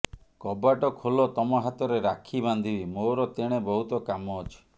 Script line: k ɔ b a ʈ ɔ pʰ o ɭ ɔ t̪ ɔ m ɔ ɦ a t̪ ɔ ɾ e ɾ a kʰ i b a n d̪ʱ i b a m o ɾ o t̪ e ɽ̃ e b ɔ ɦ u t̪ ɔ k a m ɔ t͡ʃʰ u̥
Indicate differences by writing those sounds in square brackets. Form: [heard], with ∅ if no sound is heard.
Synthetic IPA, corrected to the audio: k ɔ b a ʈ ɔ [kʰ] o [l] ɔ t̪ ɔ m ɔ ɦ a t̪ ɔ ɾ e ɾ a kʰ i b a n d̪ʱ i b [i] m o ɾ [ɔ] t̪ e ɽ̃ e b ɔ ɦ u t̪ ɔ k a m ɔ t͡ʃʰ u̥